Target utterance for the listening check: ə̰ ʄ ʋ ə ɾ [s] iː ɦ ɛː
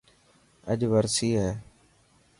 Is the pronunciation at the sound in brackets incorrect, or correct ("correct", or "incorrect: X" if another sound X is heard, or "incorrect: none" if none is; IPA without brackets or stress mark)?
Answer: correct